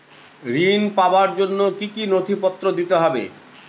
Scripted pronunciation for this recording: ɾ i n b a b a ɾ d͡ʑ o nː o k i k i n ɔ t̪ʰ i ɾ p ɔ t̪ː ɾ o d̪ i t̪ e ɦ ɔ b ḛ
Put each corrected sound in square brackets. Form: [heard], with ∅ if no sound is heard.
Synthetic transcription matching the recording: ɾ i n [p] a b a ɾ d͡ʑ o nː o k i k i n [o] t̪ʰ i [∅] p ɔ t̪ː ɾ o d̪ i t̪ e ɦ ɔ b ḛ